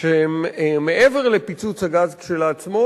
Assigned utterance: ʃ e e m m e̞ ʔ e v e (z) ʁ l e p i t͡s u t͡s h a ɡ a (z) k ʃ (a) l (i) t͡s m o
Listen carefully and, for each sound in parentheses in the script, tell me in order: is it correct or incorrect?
incorrect: none, correct, incorrect: e, incorrect: a

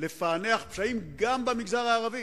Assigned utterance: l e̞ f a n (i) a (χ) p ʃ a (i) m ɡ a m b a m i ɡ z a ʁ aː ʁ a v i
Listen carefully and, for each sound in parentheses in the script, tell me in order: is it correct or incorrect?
incorrect: e, correct, correct

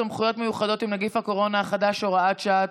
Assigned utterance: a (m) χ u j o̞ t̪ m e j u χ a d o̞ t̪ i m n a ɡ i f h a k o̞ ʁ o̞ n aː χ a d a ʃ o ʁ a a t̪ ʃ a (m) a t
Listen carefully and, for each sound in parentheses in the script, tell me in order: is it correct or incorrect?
correct, incorrect: none

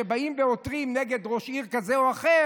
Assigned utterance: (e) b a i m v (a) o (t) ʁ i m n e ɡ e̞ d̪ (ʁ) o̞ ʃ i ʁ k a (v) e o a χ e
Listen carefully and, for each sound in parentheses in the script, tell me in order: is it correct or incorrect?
correct, incorrect: e, correct, correct, incorrect: z

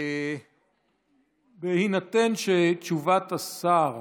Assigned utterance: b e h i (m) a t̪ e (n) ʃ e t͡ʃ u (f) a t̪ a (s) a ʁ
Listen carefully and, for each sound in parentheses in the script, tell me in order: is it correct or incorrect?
incorrect: n, correct, incorrect: v, correct

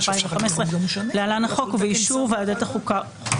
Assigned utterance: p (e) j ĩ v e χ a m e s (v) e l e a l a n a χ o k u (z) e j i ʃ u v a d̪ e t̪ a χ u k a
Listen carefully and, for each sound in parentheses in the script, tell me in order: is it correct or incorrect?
incorrect: a, incorrect: ʁ, incorrect: v

